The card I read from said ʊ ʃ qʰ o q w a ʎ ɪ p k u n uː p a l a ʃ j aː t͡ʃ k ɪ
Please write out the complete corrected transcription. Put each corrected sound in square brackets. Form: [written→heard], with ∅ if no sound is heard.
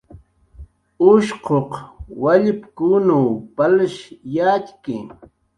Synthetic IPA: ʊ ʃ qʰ o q w a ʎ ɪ p k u n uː p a l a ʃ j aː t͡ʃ k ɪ